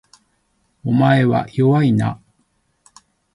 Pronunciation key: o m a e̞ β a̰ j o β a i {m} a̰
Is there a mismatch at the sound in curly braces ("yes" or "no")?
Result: yes